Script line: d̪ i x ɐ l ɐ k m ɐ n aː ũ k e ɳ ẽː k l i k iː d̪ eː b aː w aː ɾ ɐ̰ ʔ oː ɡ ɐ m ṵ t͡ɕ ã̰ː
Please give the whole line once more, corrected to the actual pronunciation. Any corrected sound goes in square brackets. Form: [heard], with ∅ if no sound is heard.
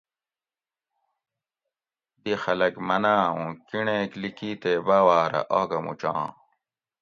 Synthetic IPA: d̪ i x ɐ l ɐ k m ɐ n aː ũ k [i] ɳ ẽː k l i k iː [t̪] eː b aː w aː ɾ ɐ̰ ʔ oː ɡ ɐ m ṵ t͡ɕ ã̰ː